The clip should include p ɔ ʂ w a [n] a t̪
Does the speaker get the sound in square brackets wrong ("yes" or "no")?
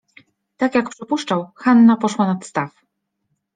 no